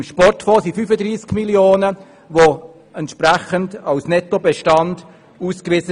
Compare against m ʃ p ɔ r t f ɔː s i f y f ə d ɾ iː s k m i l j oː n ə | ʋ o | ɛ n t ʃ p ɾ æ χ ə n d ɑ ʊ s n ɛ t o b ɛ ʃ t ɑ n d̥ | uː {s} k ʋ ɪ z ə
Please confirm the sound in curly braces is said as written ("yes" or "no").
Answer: yes